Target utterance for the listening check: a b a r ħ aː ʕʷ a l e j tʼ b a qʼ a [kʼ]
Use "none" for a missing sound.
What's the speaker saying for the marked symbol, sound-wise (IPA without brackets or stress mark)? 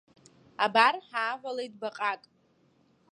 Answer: kʼ